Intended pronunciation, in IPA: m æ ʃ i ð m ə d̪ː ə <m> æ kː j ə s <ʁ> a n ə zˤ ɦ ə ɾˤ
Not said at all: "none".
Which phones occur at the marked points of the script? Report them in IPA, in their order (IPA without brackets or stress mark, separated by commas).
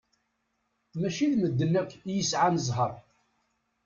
n, ʕ